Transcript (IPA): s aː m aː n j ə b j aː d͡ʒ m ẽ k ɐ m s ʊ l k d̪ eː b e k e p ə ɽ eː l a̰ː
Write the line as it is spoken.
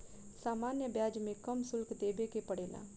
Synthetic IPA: s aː m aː n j ə b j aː d͡ʒ m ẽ k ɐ m s ʊ l k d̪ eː b e k e p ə ɽ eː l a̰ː

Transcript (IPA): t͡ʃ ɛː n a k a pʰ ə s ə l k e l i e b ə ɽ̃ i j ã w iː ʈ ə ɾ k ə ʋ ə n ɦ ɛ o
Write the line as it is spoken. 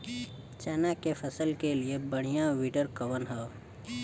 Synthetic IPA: t͡ʃ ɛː n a k e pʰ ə s ə l k e l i e b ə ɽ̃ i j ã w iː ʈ ə ɾ k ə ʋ ə n ɦ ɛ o

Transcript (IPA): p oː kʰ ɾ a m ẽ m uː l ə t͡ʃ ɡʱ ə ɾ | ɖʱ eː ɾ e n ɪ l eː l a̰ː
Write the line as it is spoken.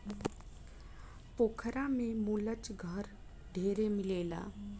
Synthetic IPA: p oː kʰ ɾ a m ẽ m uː l ə t͡ʃ ɡʱ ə ɾ | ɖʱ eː ɾ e m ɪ l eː l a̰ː

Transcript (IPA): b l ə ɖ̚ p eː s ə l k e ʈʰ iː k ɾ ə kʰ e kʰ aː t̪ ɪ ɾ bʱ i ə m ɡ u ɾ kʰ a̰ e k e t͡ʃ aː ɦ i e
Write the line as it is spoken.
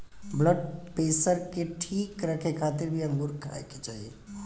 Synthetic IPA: b l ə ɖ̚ p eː s ə ɾ k e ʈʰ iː k ɾ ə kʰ e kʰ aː t̪ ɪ ɾ bʱ i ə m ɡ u ɾ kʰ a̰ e k e t͡ʃ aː ɦ i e

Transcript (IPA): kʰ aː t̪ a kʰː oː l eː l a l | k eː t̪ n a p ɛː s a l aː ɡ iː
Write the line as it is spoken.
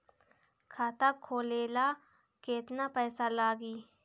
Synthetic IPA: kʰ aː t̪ a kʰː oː l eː l a | k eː t̪ n a p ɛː s a l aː ɡ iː

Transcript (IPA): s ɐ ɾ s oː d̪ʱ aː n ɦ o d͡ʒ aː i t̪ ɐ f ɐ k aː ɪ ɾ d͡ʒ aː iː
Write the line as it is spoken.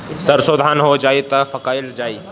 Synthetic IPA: s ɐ ɾ s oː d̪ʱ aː n ɦ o d͡ʒ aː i t̪ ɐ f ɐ k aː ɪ l d͡ʒ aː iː

